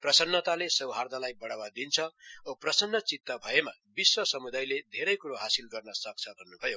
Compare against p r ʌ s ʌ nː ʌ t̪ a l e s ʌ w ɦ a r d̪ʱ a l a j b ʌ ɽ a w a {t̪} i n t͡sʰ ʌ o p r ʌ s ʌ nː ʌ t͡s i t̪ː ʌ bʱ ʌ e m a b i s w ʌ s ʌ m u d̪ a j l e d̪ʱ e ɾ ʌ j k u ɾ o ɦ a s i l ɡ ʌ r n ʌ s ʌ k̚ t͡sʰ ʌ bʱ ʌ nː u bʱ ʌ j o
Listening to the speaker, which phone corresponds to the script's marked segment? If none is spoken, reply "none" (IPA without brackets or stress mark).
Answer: d̪